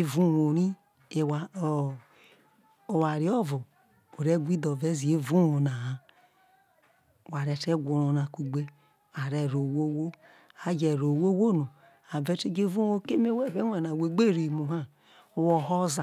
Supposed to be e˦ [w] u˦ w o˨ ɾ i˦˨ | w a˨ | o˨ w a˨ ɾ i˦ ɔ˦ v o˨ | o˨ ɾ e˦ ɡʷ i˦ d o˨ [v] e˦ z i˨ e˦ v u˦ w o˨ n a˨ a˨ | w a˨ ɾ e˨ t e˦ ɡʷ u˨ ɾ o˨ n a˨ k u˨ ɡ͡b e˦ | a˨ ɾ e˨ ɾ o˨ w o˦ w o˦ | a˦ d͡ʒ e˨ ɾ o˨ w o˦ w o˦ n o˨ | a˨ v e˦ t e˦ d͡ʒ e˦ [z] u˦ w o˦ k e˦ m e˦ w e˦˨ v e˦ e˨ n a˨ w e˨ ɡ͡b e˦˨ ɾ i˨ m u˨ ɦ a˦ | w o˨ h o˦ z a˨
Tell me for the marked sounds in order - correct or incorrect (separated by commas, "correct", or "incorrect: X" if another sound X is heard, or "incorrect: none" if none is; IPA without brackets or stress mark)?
incorrect: v, correct, incorrect: v